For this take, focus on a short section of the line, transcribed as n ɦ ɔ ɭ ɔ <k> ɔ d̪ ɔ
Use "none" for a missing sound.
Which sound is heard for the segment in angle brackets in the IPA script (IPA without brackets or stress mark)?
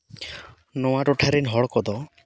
k